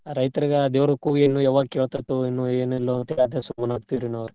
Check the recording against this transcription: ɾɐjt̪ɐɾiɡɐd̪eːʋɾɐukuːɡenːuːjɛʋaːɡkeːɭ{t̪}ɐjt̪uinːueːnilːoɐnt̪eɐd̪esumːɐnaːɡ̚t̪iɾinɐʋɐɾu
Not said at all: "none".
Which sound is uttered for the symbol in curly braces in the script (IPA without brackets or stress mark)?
t̪